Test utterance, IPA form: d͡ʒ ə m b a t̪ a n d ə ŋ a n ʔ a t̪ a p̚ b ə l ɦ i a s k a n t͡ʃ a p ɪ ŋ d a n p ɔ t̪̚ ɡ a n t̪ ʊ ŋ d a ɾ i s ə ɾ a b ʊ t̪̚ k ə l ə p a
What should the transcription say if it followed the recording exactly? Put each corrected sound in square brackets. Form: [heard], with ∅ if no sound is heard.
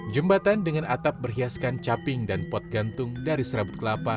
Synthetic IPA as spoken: d͡ʒ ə m b a t̪ a n d ə ŋ a n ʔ a t̪ a p̚ b ə [r] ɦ i a s k a n t͡ʃ a p ɪ ŋ d a n p ɔ t̪̚ ɡ a n t̪ ʊ ŋ d a ɾ i s ə ɾ a b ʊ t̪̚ k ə l [a] p a